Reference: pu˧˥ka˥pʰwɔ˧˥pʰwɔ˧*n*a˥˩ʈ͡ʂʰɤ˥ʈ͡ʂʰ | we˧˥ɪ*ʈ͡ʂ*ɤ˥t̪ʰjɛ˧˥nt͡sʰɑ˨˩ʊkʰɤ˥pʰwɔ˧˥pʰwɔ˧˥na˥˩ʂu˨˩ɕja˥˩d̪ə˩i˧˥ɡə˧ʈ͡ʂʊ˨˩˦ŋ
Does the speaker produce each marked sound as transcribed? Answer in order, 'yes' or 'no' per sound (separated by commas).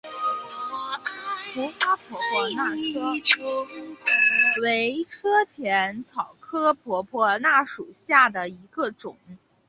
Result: yes, no